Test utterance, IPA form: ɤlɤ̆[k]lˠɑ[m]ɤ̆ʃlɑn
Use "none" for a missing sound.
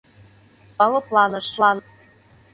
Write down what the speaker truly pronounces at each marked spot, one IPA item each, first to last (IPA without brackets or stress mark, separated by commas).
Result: p, n